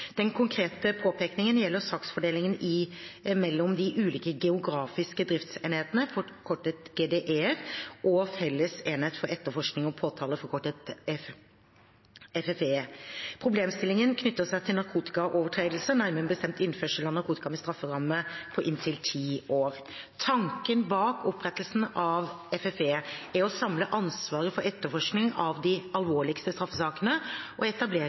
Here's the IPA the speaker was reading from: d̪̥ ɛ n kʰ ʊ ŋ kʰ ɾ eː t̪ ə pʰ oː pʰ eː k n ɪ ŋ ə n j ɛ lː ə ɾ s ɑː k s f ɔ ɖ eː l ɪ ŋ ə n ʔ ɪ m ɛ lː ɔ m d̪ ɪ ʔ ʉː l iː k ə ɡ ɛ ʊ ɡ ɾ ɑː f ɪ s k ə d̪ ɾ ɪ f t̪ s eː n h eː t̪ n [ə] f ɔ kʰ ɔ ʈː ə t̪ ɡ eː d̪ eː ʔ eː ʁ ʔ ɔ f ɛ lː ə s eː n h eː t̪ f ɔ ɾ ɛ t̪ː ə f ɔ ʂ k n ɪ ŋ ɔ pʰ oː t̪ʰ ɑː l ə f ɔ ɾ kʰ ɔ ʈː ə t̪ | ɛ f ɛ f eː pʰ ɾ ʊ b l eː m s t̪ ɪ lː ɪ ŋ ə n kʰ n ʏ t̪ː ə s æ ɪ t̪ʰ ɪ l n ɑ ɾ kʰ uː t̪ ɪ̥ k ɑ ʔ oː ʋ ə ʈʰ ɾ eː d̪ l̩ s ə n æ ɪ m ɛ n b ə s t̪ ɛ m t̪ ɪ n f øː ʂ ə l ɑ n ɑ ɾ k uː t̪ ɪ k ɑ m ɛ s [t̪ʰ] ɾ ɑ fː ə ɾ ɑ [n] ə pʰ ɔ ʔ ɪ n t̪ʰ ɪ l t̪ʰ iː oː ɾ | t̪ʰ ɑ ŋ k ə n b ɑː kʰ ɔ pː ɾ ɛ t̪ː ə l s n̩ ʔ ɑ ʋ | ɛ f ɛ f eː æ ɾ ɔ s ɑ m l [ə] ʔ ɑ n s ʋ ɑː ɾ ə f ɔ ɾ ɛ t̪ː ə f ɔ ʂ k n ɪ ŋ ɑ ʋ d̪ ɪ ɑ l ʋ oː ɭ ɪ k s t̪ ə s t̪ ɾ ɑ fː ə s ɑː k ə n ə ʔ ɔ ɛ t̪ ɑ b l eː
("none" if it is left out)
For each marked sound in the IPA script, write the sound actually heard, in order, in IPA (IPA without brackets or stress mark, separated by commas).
ə, t̪, m, ə